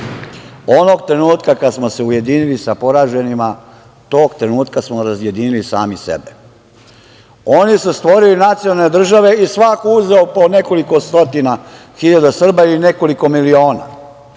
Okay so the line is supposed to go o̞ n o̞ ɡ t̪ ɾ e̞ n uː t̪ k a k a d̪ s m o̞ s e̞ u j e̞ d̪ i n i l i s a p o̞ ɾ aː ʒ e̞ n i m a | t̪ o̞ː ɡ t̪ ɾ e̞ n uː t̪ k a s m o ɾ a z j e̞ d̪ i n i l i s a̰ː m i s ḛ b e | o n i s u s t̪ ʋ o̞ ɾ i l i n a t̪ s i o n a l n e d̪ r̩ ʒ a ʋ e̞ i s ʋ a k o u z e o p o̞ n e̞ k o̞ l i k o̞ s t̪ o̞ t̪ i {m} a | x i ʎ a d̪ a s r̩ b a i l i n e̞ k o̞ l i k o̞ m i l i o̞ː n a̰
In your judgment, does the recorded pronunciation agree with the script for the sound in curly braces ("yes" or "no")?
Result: no